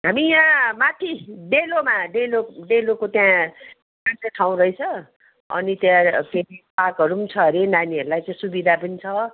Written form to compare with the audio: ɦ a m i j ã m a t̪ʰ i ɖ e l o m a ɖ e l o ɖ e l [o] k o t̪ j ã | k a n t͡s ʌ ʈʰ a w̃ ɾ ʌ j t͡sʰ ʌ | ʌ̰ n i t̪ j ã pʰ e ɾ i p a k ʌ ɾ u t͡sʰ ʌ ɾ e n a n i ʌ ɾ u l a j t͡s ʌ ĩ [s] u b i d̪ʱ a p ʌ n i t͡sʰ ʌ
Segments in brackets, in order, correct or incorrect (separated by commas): correct, correct